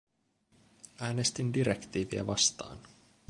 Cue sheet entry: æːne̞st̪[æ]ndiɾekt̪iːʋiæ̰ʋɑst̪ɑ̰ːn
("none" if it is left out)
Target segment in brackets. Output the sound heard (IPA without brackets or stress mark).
i